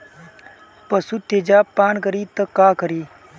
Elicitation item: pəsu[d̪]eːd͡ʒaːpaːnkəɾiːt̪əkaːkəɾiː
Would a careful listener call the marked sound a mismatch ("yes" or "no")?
yes